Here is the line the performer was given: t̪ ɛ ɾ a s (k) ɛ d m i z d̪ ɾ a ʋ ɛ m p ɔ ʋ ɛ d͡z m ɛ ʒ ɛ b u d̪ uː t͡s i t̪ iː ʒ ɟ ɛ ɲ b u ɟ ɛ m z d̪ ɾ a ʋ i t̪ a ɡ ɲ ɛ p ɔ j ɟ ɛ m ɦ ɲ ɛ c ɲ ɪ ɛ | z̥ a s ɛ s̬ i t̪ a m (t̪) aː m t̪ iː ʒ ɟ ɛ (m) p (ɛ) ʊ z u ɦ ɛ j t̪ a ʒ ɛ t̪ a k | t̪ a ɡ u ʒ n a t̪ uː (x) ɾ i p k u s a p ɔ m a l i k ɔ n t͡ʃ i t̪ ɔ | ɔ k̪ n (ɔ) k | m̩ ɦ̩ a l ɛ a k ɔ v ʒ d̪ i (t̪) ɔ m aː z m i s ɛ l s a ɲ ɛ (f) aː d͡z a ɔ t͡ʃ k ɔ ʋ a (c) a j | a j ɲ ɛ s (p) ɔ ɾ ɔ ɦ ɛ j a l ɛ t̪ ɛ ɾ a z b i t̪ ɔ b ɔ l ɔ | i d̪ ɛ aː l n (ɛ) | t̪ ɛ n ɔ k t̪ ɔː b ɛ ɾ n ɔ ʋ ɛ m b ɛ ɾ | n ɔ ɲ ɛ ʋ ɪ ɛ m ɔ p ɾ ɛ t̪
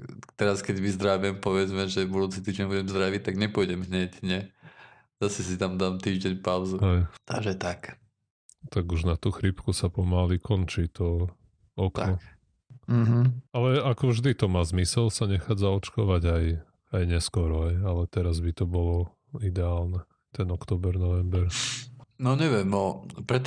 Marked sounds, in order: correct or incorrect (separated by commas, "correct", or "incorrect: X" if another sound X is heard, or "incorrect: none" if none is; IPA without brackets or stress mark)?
correct, incorrect: d̪, incorrect: ɲ, incorrect: a, correct, correct, correct, incorrect: x, incorrect: ɟ, incorrect: k, correct